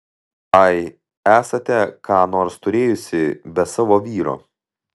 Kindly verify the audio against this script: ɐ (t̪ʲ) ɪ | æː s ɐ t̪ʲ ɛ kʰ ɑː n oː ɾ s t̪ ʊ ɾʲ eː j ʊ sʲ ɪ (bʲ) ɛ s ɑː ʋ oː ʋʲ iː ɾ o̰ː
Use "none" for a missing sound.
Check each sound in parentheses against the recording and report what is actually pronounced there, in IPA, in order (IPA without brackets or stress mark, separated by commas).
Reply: none, bʲ